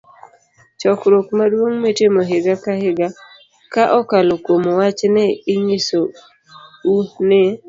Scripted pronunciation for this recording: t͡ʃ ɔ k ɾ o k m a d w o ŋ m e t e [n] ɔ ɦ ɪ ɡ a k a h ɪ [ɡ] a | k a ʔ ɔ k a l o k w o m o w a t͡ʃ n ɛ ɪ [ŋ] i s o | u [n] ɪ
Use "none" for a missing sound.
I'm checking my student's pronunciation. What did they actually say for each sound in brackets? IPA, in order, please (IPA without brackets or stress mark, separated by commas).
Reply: m, ɡ, ɲ, n